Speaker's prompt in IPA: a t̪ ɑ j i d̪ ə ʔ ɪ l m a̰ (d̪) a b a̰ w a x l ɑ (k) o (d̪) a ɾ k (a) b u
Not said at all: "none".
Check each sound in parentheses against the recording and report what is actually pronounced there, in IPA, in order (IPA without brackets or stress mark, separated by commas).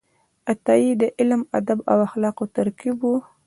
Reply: d̪, q, t̪, i